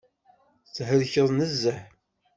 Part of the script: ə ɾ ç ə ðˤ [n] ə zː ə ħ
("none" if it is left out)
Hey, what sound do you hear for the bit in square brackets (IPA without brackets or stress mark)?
n